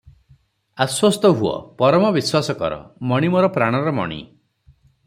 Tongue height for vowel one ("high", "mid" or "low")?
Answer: low